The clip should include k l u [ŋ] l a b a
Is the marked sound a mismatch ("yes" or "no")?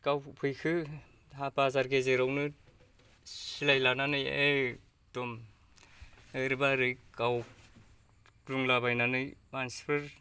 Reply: no